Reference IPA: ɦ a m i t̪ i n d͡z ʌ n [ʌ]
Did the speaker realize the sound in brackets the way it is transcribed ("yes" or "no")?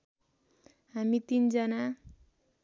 no